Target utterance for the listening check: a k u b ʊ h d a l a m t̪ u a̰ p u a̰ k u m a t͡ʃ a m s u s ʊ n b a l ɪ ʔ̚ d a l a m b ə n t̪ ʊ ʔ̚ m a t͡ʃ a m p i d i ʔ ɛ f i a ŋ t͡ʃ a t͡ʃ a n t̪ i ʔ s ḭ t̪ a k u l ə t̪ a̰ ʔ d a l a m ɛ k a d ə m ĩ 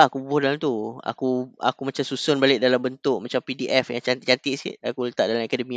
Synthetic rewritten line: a k u b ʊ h d a l a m t̪ u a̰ k u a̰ k u m a t͡ʃ a m s u s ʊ n b a l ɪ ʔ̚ d a l a m b ə n t̪ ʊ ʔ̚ m a t͡ʃ a m p i d i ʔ ɛ f j a ŋ t͡ʃ a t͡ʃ a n t̪ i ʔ s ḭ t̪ a k u l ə t̪ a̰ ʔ d a l a m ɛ k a d ə m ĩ